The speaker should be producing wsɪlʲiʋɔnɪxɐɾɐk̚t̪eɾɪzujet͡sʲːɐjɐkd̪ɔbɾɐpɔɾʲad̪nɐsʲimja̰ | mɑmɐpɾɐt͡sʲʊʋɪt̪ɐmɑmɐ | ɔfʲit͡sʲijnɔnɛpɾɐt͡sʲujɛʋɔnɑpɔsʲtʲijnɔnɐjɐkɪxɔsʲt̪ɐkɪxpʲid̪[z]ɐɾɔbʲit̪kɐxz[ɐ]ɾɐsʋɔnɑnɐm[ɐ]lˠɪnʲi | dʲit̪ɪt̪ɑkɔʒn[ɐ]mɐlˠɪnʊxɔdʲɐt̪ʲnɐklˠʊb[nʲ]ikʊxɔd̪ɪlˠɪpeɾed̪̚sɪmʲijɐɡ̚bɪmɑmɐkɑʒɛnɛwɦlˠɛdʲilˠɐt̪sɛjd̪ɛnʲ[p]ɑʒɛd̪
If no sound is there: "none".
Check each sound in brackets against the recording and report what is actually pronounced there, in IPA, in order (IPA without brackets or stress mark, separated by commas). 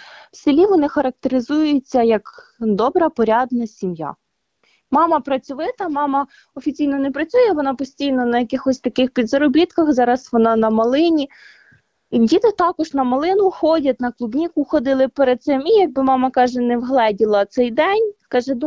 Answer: z, ɑ, ɐ, ɐ, nʲ, k